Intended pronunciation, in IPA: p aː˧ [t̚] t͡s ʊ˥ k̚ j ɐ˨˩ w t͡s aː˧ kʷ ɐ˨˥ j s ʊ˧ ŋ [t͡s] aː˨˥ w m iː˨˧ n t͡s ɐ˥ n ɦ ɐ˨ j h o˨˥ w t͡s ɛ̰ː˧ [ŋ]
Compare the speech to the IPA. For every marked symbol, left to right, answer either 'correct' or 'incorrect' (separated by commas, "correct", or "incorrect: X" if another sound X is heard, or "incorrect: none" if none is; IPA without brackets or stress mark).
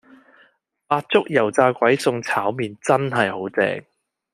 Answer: correct, incorrect: t͡sʰ, correct